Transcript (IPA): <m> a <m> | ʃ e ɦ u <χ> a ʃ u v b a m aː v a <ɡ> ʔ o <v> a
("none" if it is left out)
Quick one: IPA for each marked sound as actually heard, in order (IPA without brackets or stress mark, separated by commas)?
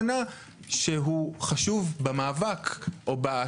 n, none, χ, k, b